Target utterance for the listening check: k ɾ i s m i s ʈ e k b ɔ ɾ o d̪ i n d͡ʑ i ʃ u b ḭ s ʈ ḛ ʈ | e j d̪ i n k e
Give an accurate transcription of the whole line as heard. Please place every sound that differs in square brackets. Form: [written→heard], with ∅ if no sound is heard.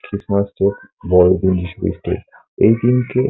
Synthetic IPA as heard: k ɾ i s m [i→a] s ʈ e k b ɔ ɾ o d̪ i n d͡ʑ i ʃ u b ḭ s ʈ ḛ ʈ | e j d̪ i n k e